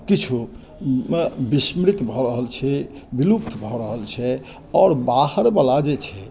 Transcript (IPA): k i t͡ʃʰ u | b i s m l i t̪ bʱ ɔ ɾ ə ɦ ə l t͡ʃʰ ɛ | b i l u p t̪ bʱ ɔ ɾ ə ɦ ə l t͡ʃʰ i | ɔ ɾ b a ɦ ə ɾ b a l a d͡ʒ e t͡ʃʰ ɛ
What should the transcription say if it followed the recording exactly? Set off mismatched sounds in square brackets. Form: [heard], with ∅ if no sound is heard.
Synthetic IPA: k i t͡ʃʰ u | b i s m [ɾ] i t̪ bʱ ɔ ɾ ə ɦ ə l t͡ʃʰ ɛ | b i l u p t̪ bʱ ɔ ɾ ə ɦ ə l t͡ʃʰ [ɛ] | ɔ ɾ b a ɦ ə ɾ b a l a d͡ʒ e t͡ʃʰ ɛ

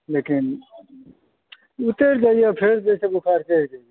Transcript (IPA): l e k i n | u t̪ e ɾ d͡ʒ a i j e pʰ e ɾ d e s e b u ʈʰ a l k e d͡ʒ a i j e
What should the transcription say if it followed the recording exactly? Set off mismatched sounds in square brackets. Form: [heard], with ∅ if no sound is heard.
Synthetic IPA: l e k i n | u t̪ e ɾ d͡ʒ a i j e pʰ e ɾ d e s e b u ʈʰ a [ɾ] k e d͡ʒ a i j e

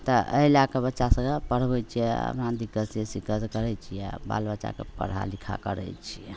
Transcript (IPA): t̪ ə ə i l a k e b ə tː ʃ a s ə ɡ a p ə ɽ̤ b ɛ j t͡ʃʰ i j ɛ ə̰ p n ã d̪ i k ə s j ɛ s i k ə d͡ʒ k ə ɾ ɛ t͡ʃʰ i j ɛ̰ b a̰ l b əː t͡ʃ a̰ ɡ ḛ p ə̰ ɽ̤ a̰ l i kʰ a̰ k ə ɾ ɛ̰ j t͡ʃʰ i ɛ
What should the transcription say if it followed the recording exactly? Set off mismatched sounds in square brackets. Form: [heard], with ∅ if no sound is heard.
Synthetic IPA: t̪ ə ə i l a k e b ə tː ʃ a s ə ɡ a p ə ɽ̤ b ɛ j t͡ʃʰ i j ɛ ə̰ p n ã d̪ i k ə s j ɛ s i k ə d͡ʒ k ə ɾ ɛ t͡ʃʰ i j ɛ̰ b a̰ l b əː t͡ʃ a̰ [k] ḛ p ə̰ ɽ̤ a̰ l i kʰ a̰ k ə ɾ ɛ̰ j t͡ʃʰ i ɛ

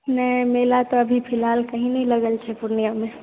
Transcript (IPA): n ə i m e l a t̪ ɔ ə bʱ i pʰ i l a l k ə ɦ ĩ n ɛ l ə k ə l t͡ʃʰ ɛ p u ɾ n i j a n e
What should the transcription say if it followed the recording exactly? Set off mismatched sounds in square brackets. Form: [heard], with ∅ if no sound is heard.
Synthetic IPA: n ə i m e l a t̪ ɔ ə bʱ i pʰ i l a l k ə ɦ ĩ n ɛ l ə [ɡ] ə l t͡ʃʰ ɛ p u ɾ n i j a [m] e

